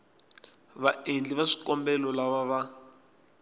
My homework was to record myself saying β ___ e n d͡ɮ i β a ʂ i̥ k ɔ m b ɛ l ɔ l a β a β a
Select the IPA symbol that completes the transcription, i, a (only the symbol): a